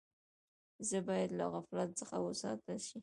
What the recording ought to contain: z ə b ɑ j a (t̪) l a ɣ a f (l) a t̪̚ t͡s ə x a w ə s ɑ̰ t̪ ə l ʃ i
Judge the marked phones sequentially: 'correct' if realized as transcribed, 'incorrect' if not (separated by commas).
incorrect, correct